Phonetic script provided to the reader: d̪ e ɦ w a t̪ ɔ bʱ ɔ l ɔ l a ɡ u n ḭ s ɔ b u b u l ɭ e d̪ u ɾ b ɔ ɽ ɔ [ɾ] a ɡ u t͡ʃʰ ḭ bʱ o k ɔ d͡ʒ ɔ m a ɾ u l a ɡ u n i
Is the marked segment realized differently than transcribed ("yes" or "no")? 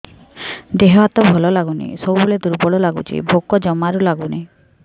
yes